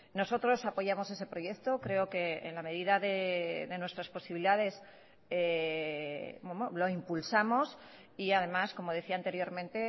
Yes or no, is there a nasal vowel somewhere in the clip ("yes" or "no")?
yes